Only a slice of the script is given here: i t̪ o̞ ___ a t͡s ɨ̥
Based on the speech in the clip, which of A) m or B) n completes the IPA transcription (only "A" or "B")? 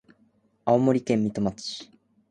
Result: A